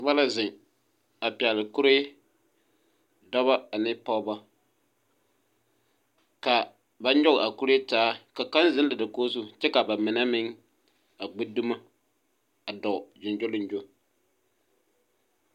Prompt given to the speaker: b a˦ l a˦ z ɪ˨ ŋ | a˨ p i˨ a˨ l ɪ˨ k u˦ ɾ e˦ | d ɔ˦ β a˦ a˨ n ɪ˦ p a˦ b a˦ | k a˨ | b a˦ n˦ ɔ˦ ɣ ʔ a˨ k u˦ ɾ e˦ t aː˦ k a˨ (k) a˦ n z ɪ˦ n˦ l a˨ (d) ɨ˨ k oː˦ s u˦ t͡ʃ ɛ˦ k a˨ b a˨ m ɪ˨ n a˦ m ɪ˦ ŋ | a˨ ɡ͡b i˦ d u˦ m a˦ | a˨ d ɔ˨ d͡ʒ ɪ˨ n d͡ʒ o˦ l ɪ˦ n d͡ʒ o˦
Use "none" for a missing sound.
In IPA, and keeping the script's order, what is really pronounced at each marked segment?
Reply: k, d

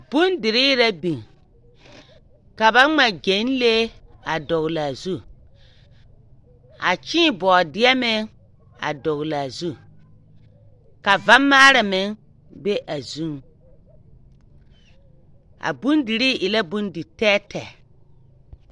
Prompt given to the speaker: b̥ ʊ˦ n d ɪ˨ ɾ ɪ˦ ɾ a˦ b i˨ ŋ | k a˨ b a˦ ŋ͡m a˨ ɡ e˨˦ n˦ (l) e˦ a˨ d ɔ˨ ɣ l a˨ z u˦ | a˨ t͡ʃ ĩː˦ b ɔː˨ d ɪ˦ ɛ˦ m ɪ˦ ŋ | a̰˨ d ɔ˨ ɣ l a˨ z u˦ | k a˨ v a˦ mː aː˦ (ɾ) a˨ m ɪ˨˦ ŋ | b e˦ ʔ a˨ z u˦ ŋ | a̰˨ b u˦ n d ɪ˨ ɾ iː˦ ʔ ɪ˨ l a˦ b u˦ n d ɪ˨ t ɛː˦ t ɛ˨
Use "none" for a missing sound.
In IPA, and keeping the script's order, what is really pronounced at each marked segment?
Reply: l, ɾ

